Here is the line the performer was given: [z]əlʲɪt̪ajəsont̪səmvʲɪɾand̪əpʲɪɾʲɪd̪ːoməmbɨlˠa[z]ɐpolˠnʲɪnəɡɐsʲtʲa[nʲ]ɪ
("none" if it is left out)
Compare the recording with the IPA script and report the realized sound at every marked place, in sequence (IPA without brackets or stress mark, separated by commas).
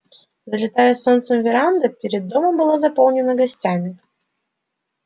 z, z, mʲ